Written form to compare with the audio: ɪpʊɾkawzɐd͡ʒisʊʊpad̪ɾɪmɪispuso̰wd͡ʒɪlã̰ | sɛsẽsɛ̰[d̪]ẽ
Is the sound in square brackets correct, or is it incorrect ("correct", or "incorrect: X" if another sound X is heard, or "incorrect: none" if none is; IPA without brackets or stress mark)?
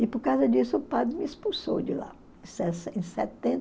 incorrect: t̪